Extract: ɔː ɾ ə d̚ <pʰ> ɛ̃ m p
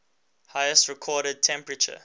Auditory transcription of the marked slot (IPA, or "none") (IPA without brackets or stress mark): tʰ